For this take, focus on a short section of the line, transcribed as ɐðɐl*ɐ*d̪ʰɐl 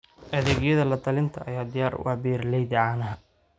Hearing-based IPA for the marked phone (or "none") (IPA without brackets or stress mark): ɐ